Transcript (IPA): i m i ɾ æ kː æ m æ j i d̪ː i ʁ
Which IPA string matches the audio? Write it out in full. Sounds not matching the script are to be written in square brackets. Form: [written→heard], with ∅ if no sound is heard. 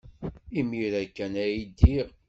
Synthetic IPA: i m i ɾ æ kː æ [m→n] æ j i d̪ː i ʁ